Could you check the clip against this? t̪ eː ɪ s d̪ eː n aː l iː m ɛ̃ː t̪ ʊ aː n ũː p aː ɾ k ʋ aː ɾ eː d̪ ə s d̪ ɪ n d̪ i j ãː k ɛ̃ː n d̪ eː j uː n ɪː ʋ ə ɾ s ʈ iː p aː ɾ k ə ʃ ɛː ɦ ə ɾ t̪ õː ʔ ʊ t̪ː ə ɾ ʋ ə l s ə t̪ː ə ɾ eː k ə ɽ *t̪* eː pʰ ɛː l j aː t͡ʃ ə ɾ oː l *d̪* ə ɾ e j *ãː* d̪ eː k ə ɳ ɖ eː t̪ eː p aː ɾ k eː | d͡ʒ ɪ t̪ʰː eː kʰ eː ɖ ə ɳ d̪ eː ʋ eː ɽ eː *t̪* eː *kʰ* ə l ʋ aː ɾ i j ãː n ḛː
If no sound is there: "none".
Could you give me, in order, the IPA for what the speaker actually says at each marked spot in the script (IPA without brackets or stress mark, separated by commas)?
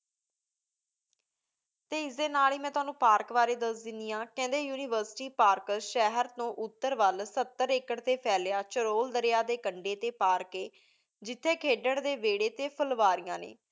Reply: t̪, d̪, aː, t̪, pʰ